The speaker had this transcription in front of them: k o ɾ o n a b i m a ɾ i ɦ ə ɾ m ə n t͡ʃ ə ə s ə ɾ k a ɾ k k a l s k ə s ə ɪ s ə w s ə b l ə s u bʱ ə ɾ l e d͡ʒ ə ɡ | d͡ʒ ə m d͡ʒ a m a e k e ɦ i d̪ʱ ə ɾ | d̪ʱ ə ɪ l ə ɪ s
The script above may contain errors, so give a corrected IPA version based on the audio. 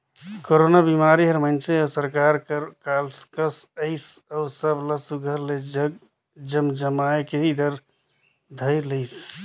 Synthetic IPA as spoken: k o ɾ o n a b i m a ɾ i ɦ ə ɾ m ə n t͡ʃ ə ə s ə ɾ k a ɾ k k a l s k ə s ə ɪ s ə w s ə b l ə s u ɡʱ ə ɾ l e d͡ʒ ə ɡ | d͡ʒ ə m d͡ʒ ə m a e k e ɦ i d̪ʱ ə ɾ | d̪ʱ ə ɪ l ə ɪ s